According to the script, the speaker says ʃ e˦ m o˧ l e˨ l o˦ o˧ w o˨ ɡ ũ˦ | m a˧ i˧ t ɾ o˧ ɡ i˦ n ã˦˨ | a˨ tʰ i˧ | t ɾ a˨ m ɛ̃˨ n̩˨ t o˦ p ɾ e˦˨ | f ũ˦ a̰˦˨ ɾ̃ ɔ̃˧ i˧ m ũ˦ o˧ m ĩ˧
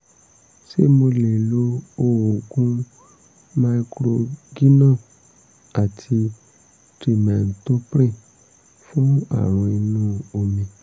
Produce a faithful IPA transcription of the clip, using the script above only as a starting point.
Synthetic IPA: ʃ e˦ m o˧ l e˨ l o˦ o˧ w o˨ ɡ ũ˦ | m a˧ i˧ k ɾ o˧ ɡ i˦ n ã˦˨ | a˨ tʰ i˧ | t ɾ i˨ m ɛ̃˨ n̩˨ t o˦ p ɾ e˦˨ | f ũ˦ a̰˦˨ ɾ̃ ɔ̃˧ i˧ n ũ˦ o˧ m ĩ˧